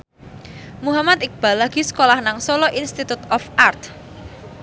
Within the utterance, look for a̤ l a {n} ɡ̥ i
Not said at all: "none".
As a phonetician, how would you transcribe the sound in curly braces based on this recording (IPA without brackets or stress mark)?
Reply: none